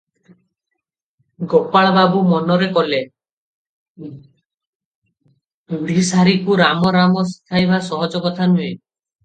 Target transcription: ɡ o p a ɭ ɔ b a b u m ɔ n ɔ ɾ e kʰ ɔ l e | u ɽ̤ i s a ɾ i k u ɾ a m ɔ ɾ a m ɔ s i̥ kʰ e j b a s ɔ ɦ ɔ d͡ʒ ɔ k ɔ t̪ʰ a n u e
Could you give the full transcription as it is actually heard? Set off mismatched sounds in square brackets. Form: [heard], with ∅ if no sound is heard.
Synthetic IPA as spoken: ɡ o p a ɭ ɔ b a b u m ɔ n ɔ ɾ e [k] ɔ l e | u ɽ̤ i s a ɾ i k u ɾ a m ɔ ɾ a m ɔ s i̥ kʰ [a] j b a s ɔ ɦ ɔ d͡ʒ ɔ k ɔ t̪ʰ a n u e